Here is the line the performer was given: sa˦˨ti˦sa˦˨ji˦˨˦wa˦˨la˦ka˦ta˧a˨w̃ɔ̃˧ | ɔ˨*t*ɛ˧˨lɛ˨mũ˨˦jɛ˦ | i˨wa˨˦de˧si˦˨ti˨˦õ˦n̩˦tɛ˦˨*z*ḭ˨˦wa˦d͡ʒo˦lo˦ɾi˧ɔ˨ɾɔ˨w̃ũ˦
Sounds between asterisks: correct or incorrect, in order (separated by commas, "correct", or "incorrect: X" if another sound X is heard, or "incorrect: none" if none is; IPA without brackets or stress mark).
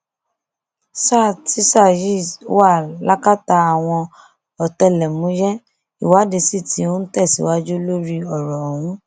correct, incorrect: s